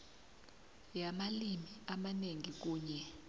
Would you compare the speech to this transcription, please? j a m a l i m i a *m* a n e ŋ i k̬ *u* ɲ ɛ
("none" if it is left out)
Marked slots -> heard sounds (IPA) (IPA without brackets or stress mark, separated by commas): m, uː